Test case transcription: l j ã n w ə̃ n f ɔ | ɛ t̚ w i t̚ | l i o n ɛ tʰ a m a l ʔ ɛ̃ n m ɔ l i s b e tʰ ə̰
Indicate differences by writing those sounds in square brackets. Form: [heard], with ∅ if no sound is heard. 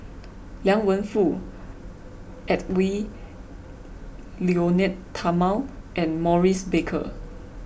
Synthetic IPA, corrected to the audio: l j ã [ŋ] w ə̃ n f [u] | ɛ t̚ w i [∅] | l i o n ɛ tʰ a m a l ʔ ɛ̃ n m ɔ [ɹ] i s b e [kʰ] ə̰

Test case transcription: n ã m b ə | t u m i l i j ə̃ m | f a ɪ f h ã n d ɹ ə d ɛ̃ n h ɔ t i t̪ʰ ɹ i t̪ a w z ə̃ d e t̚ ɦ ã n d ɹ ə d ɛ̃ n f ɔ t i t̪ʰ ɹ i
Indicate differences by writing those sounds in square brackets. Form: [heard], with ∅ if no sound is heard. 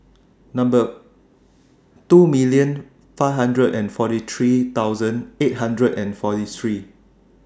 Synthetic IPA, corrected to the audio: n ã m b ə | t u m i l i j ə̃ [n] | f a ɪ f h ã n d ɹ ə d ɛ̃ n [f] ɔ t i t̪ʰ ɹ i t̪ a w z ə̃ [n] e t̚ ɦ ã n d ɹ ə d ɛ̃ n f ɔ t i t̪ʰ ɹ i

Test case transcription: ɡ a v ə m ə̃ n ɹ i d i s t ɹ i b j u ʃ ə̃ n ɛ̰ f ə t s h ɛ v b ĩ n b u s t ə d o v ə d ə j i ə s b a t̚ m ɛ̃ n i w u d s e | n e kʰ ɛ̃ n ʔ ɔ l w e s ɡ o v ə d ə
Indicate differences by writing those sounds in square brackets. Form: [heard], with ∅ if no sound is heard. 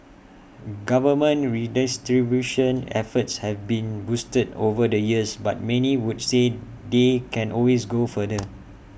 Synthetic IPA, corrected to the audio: ɡ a v ə m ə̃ n ɹ i d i s t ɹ i b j u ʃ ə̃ n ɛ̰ f ə t s h ɛ v b ĩ n b u s t ə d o v ə d ə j i ə s b a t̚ m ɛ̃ n i w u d s e | [d] e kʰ ɛ̃ n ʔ ɔ l w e s ɡ o [f] ə d ə

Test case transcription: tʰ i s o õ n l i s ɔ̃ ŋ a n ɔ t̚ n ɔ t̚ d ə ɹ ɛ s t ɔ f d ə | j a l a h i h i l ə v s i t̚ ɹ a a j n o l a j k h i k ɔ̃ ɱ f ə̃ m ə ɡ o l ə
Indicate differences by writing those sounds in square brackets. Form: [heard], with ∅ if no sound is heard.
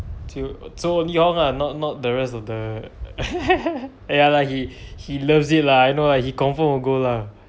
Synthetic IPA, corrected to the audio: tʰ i s o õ n l i [h] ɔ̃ ŋ a n ɔ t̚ n ɔ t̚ d ə ɹ ɛ s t ɔ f d ə | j a l a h i h i l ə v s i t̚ [l] a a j n o l a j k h i k ɔ̃ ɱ f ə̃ m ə ɡ o l [a]

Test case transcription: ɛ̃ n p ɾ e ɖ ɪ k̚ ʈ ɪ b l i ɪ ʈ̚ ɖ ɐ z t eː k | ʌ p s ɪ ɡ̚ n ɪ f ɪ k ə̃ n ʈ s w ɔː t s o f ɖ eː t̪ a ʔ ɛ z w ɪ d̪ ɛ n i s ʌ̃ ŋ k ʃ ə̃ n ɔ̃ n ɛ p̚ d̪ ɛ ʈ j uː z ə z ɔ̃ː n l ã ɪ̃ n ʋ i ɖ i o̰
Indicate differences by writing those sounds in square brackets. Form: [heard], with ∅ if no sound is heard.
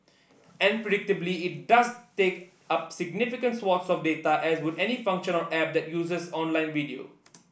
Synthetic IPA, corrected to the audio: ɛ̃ n p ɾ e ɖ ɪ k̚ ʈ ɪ b l i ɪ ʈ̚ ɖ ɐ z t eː k | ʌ p s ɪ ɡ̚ n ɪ f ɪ k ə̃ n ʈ s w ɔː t s [ɔ] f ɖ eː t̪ a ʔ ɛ z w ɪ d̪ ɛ n i [f] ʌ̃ ŋ k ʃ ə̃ n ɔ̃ n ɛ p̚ d̪ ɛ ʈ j uː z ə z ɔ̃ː n l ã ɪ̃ n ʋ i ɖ i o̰

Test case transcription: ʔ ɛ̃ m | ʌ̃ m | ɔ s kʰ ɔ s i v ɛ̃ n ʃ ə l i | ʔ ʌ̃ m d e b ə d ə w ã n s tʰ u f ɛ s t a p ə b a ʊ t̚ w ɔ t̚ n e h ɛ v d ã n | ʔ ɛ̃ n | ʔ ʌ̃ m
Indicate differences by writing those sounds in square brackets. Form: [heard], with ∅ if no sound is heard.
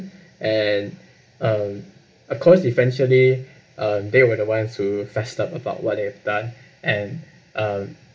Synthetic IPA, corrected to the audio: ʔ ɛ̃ [n] | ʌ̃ m | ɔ [f] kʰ ɔ s i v ɛ̃ n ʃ ə l i | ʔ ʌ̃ m d e [w] ə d ə w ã n s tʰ u f ɛ s t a p ə b a ʊ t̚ w ɔ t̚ [d] e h ɛ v d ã n | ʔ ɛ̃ n | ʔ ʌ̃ m

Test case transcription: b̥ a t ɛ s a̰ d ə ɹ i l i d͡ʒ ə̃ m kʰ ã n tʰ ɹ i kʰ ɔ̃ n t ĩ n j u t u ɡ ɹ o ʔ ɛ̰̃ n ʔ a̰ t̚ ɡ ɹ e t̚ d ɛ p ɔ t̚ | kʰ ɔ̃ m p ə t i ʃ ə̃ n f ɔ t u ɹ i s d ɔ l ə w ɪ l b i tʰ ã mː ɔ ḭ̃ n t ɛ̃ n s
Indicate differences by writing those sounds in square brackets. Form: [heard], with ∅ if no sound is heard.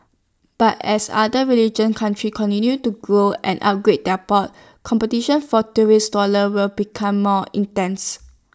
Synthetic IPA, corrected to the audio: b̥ a t ɛ s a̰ d ə ɹ i l i d͡ʒ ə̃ [n] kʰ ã n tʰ ɹ i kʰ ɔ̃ n t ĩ n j u t u ɡ ɹ o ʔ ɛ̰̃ n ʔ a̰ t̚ ɡ ɹ e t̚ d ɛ p ɔ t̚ | kʰ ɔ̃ m p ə t i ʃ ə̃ n f ɔ t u ɹ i s d ɔ l ə w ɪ l b i [kʰ] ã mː ɔ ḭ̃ n t ɛ̃ n s

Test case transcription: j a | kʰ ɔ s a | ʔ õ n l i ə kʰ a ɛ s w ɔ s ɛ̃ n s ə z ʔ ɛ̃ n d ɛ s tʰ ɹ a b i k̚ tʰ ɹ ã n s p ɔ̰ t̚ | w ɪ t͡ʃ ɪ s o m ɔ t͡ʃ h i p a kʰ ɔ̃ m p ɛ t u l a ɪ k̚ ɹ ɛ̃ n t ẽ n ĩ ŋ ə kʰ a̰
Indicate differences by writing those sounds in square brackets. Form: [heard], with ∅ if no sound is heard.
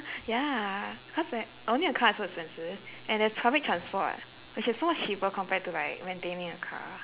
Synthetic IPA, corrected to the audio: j a | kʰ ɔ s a | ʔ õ n l i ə kʰ a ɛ s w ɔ s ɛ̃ n s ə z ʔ ɛ̃ n d ɛ s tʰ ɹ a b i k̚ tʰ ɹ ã n s p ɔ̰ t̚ | w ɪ t͡ʃ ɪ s o m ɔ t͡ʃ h i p [ə] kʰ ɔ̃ m p ɛ t u l a ɪ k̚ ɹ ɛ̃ n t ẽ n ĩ ŋ ə kʰ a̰

